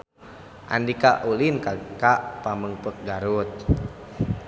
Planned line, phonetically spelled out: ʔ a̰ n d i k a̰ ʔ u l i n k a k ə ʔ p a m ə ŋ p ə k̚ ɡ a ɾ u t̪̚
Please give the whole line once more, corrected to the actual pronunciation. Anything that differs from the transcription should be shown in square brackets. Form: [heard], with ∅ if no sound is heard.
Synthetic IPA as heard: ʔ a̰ n d i k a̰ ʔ u l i n k a k [a] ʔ p a m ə ŋ p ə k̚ ɡ a ɾ u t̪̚